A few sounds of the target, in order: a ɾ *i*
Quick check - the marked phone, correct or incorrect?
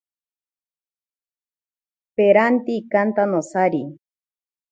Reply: correct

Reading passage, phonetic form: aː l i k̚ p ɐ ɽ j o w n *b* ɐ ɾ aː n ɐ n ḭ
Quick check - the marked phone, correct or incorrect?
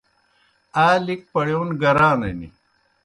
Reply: incorrect: ɡ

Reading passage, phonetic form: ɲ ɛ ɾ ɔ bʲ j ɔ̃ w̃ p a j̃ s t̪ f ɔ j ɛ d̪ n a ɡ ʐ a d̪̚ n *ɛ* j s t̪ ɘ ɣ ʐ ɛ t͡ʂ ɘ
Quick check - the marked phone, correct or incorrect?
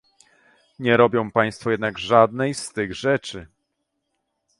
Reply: correct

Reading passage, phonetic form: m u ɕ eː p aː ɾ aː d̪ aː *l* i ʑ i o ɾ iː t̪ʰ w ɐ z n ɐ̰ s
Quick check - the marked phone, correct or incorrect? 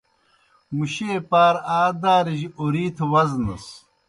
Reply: incorrect: ɾ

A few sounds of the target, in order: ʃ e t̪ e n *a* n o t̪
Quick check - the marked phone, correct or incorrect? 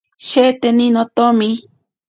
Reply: incorrect: i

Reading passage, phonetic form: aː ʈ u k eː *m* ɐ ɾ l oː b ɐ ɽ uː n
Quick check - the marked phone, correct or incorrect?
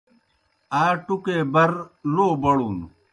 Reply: incorrect: b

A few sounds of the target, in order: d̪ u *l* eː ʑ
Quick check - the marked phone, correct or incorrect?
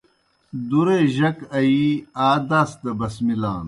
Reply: incorrect: ɾ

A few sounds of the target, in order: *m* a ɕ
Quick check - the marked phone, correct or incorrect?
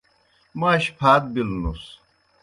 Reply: correct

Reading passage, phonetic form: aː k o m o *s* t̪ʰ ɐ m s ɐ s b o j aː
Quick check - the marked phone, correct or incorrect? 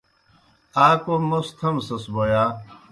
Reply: correct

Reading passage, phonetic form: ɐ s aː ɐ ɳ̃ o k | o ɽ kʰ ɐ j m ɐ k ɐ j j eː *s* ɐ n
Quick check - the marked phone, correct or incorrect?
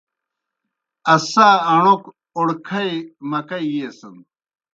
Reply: correct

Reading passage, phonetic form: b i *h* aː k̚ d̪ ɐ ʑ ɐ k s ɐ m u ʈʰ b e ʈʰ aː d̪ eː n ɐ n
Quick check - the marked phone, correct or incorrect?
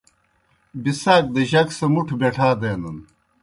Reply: incorrect: s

